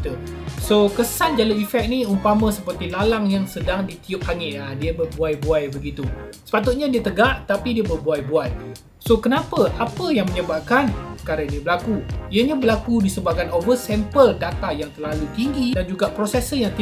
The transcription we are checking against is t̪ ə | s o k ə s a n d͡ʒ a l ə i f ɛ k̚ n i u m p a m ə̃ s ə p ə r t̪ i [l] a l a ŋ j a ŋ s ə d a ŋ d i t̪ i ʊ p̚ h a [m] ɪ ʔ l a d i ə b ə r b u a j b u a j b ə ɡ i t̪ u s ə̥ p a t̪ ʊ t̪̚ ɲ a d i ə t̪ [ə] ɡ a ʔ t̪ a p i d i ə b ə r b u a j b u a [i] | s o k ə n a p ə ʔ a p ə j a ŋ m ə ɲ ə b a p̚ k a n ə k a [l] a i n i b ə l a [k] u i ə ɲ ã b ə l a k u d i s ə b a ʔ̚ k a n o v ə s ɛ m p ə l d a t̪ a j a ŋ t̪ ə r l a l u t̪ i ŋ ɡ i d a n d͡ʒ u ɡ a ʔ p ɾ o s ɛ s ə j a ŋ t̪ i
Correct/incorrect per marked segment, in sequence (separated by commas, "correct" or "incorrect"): correct, incorrect, correct, incorrect, incorrect, correct